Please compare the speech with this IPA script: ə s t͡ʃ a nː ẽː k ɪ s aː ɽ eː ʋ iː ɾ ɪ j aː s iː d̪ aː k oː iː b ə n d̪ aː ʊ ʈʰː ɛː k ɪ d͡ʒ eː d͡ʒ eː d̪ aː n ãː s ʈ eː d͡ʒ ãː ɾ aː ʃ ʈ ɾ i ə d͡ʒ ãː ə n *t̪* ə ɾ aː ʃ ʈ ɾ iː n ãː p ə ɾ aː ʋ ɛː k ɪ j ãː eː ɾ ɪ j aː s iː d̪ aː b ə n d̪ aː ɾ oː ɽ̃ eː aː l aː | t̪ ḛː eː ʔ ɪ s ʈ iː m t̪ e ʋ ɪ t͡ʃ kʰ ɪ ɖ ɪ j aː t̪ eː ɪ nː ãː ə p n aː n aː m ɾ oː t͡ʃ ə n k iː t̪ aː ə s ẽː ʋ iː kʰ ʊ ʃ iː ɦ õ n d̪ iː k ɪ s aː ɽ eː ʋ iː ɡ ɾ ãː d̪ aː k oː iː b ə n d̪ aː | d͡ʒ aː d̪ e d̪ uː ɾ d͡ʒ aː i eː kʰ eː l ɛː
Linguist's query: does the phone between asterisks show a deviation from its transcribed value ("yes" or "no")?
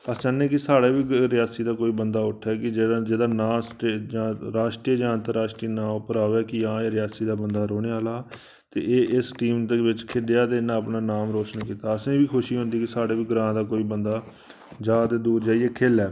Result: no